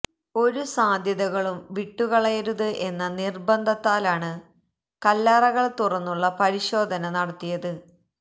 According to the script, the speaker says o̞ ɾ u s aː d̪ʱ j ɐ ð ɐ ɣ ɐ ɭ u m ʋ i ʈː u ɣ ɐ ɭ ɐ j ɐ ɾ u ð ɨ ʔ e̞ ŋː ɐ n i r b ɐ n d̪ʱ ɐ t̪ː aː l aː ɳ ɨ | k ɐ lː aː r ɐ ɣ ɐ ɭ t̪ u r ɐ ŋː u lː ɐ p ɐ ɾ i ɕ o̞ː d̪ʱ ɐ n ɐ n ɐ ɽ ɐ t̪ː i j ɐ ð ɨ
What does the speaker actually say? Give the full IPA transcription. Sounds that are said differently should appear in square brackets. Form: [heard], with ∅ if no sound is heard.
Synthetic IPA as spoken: o̞ ɾ u s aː d̪ʱ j ɐ ð ɐ ɣ ɐ ɭ u m ʋ i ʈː u ɣ ɐ ɭ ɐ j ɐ ɾ u ð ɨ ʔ e̞ [nː] ɐ n i r b ɐ n d̪ʱ ɐ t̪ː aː l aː ɳ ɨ | k ɐ lː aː r ɐ ɣ ɐ ɭ t̪ u r ɐ [nː] u [ɭː] ɐ p ɐ ɾ i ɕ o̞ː d̪ʱ ɐ n ɐ n ɐ ɽ ɐ t̪ː i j ɐ ð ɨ